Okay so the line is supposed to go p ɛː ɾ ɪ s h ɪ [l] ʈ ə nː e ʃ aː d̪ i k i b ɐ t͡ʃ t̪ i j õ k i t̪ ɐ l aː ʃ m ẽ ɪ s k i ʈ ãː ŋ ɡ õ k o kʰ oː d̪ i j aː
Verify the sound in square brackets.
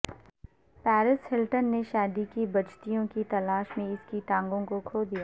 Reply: correct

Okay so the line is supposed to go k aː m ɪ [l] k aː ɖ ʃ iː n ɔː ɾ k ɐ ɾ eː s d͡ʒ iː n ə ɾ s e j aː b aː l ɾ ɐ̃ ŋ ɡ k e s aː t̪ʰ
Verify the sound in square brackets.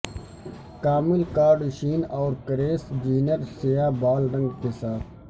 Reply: correct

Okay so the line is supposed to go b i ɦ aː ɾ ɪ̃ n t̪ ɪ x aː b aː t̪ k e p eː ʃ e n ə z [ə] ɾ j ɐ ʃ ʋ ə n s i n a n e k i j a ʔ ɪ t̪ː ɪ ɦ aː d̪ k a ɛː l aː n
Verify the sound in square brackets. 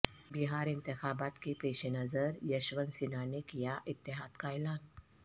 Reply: correct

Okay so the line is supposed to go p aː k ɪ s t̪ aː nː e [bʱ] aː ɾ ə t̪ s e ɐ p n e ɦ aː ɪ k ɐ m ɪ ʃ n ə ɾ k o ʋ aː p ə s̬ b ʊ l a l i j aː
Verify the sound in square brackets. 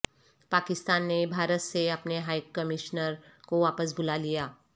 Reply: correct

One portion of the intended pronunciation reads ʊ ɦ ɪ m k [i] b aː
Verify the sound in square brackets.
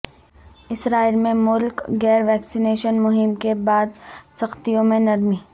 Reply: incorrect: e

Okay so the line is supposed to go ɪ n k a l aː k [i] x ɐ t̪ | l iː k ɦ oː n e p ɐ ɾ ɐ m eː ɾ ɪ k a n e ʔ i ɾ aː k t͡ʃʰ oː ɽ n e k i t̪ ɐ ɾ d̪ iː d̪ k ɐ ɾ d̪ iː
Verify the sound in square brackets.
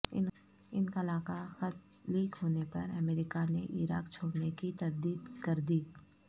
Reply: incorrect: a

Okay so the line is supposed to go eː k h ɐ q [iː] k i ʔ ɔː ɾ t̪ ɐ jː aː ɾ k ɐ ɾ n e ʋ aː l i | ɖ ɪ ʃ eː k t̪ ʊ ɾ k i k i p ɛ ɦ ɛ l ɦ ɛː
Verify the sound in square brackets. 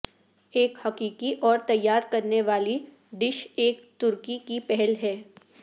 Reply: correct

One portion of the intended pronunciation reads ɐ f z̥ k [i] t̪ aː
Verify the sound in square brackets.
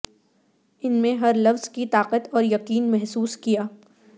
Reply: correct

